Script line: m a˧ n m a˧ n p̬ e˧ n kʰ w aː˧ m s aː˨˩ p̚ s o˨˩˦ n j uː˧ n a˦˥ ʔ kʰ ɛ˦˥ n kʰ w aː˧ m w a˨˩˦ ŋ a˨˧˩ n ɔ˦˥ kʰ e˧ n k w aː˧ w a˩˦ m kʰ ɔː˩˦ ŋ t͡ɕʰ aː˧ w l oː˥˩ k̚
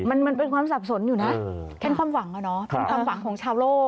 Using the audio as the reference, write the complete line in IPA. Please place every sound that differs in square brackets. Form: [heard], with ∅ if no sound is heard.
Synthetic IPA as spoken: m a˧ n m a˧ n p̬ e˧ n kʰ w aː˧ m s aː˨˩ p̚ s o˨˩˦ n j [uː˨˩] n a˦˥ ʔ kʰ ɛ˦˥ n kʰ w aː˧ m w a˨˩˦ ŋ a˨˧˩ n ɔ˦˥ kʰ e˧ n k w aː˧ w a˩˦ [ŋ] kʰ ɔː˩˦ ŋ t͡ɕʰ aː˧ w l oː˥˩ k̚

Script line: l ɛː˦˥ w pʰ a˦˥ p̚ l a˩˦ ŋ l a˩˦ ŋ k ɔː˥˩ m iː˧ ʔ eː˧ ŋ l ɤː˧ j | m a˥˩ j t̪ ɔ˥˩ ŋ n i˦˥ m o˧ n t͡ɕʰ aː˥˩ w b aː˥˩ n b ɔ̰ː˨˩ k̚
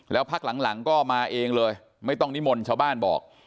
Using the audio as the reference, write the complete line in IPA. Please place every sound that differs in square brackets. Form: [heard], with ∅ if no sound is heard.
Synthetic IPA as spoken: l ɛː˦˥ w pʰ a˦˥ [k̚] l a˩˦ ŋ l a˩˦ ŋ k ɔː˥˩ m [aː˧] ʔ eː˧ ŋ l ɤː˧ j | m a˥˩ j t̪ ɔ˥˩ ŋ n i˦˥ m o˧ n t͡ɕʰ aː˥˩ w b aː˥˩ n b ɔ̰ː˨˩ k̚

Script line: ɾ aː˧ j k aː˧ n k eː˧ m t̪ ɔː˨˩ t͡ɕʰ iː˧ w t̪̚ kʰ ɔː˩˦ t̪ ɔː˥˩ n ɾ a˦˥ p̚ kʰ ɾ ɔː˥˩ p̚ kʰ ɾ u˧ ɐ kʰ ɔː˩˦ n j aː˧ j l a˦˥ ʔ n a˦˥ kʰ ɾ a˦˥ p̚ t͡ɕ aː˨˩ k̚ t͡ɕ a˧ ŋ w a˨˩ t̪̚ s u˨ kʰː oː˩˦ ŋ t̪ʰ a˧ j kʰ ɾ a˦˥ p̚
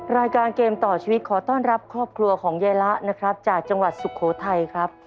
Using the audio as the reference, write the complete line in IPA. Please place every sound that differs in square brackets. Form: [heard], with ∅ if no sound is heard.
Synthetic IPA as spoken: ɾ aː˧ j k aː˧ n k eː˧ m t̪ ɔː˨˩ t͡ɕʰ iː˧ w t̪̚ kʰ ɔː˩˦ t̪ ɔː˥˩ n ɾ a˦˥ p̚ kʰ ɾ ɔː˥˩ p̚ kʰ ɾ u˧ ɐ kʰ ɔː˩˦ [ŋ] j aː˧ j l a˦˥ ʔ n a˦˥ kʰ ɾ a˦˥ p̚ t͡ɕ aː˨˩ k̚ t͡ɕ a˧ ŋ w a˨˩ t̪̚ s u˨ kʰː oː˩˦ [∅] t̪ʰ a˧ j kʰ ɾ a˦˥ p̚

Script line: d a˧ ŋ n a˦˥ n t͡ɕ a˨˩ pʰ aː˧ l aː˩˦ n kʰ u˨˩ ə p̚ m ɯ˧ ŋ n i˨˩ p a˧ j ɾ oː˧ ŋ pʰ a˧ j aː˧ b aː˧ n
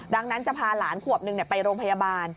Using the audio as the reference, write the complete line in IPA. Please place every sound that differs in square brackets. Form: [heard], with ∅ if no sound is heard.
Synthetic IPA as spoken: d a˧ ŋ n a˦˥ n t͡ɕ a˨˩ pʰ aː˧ l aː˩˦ n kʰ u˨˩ ə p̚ [n] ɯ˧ ŋ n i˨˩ p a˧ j ɾ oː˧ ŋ pʰ a˧ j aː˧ b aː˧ n

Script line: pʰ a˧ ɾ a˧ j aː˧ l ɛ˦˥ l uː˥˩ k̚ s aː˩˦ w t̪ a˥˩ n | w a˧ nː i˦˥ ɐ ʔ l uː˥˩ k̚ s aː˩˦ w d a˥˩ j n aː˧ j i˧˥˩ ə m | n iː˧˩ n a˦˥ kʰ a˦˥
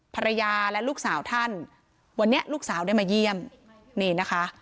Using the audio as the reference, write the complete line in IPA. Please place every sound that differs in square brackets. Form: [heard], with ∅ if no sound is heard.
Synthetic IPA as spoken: pʰ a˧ ɾ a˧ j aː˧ l ɛ˦˥ l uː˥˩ k̚ s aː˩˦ w [t̪ʰ] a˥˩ n | w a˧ nː i˦˥ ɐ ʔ l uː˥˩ k̚ s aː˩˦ w d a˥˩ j [m] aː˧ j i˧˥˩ ə m | n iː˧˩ n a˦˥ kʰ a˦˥

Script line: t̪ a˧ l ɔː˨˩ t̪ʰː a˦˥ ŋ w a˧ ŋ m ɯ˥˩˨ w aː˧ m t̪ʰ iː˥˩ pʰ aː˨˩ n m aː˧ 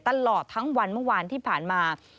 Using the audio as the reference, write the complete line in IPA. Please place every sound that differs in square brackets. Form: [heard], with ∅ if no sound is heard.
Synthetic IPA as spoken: t̪ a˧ l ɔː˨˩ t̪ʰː a˦˥ ŋ w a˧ [n] m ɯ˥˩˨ w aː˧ [n] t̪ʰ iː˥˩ pʰ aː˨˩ n m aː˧

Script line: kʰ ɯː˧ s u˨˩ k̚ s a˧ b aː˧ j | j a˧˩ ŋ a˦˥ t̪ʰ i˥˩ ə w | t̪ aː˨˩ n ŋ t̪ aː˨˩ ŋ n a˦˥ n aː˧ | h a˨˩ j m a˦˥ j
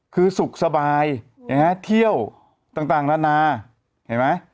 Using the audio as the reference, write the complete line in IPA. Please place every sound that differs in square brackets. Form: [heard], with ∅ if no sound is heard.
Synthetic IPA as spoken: kʰ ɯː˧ s u˨˩ k̚ s a˧ b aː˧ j | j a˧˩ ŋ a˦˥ t̪ʰ i˥˩ ə w | t̪ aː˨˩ [∅] ŋ t̪ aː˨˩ ŋ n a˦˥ n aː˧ | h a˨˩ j m a˦˥ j

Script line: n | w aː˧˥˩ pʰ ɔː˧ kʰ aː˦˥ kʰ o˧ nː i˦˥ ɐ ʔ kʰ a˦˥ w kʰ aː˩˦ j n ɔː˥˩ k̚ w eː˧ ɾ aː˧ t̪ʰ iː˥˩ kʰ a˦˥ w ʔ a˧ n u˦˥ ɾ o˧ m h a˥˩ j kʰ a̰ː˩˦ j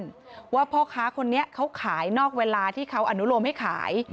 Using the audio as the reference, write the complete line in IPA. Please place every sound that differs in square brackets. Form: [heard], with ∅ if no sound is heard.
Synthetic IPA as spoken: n | w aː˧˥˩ pʰ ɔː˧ kʰ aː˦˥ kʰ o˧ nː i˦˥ ɐ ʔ kʰ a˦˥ w kʰ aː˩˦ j n ɔː˥˩ k̚ w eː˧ [l] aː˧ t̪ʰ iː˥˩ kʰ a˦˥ w ʔ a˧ n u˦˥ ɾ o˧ m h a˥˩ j kʰ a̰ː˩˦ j

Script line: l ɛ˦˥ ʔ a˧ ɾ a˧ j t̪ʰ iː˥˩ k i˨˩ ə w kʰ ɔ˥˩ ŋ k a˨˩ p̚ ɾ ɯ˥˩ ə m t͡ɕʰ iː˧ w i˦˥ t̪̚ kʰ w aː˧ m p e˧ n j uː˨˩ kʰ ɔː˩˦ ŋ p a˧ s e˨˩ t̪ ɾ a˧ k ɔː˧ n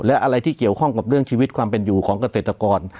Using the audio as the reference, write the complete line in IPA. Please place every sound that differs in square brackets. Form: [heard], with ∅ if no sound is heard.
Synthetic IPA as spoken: l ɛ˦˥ ʔ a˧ ɾ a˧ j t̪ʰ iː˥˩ k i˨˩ ə w kʰ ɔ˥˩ ŋ k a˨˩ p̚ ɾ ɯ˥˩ ə [ŋ] t͡ɕʰ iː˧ w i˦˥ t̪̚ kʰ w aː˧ m p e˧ n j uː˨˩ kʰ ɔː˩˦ ŋ [k] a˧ s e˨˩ t̪ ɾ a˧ k ɔː˧ n

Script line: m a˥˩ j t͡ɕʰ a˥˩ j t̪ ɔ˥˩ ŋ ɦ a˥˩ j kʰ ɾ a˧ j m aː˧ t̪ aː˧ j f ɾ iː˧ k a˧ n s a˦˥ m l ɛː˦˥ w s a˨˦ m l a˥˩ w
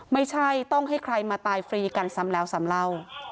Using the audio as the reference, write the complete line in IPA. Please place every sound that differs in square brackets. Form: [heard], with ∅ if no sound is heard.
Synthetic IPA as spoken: m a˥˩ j t͡ɕʰ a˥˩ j t̪ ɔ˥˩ ŋ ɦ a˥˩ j kʰ ɾ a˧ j m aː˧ t̪ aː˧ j f ɾ iː˧ k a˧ n s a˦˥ m l ɛː˦˥ w s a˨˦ m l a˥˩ w

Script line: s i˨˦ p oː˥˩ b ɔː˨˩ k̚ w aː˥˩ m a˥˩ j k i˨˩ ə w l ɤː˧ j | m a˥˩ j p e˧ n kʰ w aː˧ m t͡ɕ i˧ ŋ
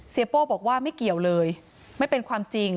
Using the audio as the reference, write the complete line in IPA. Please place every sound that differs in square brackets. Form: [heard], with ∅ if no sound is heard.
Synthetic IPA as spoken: s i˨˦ p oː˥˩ b ɔː˨˩ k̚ w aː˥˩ m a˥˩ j k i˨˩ ə w l ɤː˧ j | m a˥˩ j p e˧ n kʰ w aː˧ m t͡ɕ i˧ ŋ

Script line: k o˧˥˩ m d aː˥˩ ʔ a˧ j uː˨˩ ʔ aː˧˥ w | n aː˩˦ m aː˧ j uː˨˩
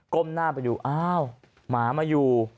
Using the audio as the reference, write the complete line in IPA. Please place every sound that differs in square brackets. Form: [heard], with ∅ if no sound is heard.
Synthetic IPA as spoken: k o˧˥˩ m [n] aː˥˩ [p] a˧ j uː˨˩ ʔ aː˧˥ w | [m] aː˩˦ m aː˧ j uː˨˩

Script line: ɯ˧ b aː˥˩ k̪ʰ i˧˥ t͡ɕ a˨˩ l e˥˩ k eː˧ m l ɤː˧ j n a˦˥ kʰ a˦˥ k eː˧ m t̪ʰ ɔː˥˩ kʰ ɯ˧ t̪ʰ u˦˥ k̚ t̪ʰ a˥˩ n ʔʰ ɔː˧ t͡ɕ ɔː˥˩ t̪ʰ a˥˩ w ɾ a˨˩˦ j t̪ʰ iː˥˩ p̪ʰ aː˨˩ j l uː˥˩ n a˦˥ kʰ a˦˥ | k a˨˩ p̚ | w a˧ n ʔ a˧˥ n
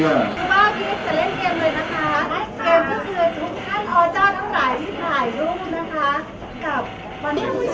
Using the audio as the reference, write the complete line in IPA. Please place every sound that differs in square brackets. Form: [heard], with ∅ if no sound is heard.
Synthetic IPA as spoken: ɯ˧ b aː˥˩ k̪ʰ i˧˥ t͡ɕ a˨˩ l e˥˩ k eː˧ m l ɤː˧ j n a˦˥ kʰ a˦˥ k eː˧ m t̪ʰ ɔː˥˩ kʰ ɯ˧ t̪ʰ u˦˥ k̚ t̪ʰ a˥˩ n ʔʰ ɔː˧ t͡ɕ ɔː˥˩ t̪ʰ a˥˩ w ɾ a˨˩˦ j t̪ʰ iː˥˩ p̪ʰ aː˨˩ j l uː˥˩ n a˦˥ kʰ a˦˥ | k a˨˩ p̚ | w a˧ n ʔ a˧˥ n

